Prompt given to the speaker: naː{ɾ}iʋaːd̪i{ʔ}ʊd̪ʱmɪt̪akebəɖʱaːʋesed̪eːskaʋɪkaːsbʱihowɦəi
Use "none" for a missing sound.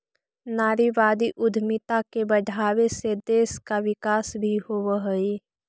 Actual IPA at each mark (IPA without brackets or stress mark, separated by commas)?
ɾ, ʔ